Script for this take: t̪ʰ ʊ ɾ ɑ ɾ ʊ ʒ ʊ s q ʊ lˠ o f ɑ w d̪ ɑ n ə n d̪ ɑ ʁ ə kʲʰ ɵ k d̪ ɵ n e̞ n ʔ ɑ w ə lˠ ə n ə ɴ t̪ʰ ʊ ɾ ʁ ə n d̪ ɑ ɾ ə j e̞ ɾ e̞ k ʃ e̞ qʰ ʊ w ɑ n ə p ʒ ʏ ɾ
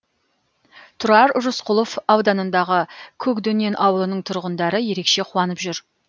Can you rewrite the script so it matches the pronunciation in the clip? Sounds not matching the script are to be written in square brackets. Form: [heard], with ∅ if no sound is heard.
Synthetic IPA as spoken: t̪ʰ ʊ ɾ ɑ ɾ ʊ ʒ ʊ s q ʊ lˠ o f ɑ w d̪ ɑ n ə n d̪ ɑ ʁ ə kʲʰ ɵ k d̪ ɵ n e̞ n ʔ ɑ w ə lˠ ə n ə ɴ t̪ʰ ʊ ɾ ʁ ə n d̪ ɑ ɾ ə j e̞ ɾ e̞ k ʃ e̞ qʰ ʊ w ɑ n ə p ʒ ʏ ɾ